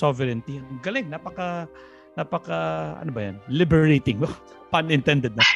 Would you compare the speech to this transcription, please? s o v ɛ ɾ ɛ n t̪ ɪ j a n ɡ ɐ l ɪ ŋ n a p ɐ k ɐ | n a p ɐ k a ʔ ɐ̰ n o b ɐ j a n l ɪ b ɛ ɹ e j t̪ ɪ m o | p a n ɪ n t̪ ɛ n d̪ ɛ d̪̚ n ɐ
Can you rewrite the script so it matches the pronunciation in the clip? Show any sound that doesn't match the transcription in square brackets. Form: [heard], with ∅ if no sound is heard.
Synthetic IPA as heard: s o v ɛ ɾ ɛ n t̪ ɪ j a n ɡ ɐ l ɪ ŋ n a p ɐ k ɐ | n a p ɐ k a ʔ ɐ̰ n o b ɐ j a n l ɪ b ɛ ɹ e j t̪ ɪ [ŋ] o | p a n ɪ n t̪ ɛ n d̪ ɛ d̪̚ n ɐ